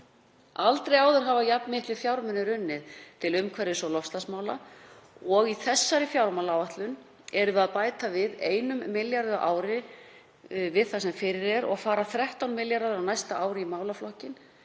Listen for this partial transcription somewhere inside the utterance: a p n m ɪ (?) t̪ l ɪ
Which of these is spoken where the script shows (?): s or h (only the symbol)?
h